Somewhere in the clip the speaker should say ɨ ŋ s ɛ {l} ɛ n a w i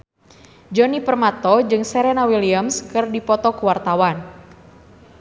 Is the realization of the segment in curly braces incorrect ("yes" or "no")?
yes